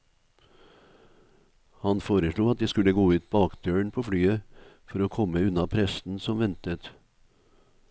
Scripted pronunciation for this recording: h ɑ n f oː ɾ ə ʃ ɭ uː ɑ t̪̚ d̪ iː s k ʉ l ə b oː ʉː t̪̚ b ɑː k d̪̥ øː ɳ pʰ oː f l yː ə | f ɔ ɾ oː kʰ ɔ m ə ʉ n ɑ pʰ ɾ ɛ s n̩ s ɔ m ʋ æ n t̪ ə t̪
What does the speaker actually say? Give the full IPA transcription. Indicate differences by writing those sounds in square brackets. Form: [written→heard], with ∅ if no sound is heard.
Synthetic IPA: h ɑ n f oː ɾ ə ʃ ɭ uː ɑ t̪̚ d̪ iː s k ʉ l ə [b→ɡ] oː ʉː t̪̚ b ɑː k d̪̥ øː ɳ pʰ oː f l yː ə | f ɔ ɾ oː kʰ ɔ m ə ʉ n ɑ pʰ ɾ ɛ s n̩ s ɔ m ʋ [æ→ɛ] n t̪ ə t̪